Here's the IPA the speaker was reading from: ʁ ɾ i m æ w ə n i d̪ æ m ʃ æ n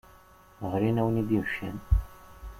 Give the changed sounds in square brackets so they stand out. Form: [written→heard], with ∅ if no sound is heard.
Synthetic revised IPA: ʁ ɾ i [m→n] æ w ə n i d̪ [æ→i] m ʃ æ n